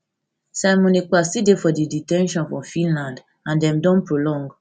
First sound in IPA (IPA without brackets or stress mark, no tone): s